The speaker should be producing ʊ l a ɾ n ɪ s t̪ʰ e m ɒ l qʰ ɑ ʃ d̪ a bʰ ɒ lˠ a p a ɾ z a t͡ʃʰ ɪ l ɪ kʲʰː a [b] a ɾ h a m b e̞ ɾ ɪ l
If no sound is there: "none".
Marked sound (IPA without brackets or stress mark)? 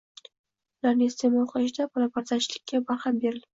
b